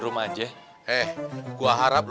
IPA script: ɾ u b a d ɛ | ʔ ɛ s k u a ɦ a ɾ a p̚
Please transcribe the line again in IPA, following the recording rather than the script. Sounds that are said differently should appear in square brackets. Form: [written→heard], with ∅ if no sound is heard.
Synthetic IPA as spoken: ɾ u [b→m] a [d→d͡ʒ] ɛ | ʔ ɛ [s→h] k u a ɦ a ɾ a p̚